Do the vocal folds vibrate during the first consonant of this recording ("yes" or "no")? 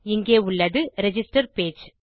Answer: yes